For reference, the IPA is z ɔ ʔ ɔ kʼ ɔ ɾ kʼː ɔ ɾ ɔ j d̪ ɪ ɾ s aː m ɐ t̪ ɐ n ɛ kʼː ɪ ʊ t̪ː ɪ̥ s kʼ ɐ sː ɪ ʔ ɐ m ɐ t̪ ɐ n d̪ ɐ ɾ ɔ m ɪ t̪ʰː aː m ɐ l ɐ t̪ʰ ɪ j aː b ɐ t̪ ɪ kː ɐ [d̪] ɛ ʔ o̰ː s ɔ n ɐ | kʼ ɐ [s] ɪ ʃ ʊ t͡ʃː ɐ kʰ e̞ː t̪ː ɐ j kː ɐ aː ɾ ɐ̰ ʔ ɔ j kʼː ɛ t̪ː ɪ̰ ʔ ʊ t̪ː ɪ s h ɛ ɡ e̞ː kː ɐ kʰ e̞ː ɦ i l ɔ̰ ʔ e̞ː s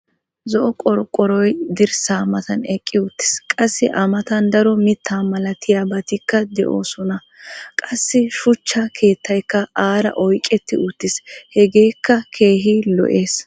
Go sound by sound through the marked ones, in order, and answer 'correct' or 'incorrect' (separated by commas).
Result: correct, incorrect